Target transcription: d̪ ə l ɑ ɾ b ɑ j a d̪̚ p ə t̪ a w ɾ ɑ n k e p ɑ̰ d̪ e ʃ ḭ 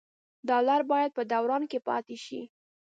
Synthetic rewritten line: d̪ ɑ l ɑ ɾ b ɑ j a d̪̚ p ə d̪ a w ɾ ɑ n k e p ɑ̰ t̪ e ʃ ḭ

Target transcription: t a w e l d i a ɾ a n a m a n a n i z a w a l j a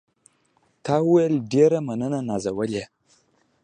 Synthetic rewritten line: t a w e l d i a ɾ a m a n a n a n a z a w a l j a

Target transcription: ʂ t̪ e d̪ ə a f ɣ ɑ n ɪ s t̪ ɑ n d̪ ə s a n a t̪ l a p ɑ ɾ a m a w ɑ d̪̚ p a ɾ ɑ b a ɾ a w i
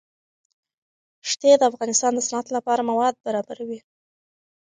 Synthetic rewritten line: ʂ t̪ e d̪ ə a f ɣ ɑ n ɪ s t̪ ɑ n d̪ ə s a n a t̪ l a p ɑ ɾ a m a w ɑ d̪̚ b a ɾ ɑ b a ɾ a w i

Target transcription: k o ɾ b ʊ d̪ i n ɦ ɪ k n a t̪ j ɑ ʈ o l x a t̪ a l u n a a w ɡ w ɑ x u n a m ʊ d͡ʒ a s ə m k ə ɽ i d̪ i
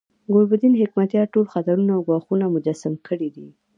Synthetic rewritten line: ɡ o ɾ b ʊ d̪ i n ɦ ɪ k m a t̪ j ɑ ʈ o l x a t̪ a ɾ u n a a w ɡ w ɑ x u n a m ʊ d͡ʒ a s a m k ə ɽ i d̪ i

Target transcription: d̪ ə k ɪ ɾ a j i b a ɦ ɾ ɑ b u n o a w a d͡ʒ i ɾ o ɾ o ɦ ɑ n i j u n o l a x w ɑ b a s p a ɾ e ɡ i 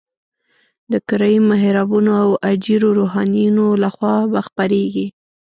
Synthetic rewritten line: d̪ ə k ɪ ɾ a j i m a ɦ ɾ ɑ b u n o a w a d͡ʒ i ɾ o ɾ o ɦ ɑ n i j u n o l a x w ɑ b a x p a ɾ e ɡ i

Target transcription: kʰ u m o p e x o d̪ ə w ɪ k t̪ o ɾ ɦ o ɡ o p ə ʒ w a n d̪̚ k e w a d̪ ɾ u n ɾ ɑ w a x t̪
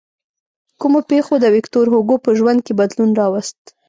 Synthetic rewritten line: k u m o p e x o d̪ ə w ɪ k t̪ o ɾ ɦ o ɡ o p ə ʒ w a n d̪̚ k e b a d̪ l u n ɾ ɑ w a s t̪

